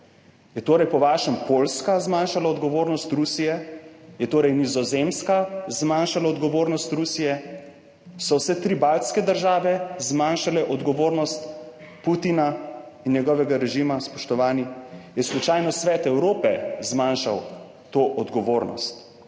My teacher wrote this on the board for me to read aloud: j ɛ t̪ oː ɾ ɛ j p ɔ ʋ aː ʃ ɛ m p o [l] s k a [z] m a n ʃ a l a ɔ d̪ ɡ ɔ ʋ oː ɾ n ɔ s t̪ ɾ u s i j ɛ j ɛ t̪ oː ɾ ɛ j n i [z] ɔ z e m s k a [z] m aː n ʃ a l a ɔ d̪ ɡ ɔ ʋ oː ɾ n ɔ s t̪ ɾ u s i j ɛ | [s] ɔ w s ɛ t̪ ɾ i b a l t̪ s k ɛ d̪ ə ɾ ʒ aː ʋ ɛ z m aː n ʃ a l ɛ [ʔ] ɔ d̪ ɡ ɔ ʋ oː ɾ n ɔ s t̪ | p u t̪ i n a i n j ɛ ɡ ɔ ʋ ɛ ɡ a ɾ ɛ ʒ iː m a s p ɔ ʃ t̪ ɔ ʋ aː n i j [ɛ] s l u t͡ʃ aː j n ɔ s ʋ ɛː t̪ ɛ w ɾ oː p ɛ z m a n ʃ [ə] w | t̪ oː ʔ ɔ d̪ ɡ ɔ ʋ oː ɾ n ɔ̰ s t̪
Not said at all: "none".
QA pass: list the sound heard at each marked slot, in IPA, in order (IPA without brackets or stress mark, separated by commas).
l, z, z, z, s, ʔ, ɛ, a